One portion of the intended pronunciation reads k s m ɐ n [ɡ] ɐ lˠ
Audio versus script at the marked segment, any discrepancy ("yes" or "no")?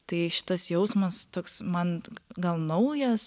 no